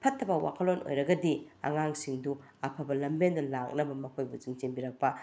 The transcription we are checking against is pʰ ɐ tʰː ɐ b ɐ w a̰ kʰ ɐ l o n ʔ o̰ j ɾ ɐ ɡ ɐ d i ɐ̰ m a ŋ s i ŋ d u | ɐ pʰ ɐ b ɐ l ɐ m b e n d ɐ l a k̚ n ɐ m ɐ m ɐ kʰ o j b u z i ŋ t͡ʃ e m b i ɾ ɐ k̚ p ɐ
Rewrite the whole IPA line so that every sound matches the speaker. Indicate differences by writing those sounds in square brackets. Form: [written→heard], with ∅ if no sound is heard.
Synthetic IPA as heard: pʰ ɐ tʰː ɐ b ɐ w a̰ kʰ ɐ l o n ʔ o̰ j ɾ ɐ ɡ ɐ d i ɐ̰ [m→ŋ] a ŋ s i ŋ d u | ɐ pʰ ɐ b ɐ l ɐ m b e n d ɐ l a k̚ n ɐ [m→b] ɐ m ɐ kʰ o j b u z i ŋ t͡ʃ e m b i ɾ ɐ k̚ p ɐ